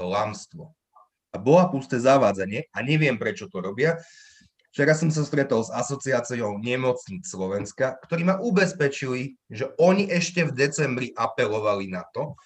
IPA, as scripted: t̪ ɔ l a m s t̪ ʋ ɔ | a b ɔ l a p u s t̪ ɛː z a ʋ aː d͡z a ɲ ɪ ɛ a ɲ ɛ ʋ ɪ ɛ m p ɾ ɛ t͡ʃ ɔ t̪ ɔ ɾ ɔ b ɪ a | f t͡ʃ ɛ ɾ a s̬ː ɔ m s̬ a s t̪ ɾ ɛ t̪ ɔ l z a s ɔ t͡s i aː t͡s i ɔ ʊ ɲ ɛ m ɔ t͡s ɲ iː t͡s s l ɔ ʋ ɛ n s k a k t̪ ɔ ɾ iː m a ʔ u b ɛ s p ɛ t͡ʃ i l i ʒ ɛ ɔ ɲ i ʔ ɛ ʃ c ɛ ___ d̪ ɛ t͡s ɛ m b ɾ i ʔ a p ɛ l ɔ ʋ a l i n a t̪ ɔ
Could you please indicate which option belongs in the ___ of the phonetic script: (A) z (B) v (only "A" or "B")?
B